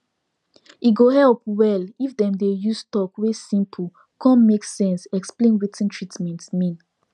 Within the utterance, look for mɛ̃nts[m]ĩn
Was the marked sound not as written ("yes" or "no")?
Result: no